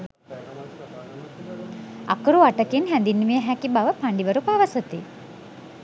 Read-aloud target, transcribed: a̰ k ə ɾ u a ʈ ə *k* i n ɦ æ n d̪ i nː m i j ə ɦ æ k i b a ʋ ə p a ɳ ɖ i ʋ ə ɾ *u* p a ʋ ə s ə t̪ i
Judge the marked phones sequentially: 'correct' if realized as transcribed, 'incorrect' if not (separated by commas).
correct, correct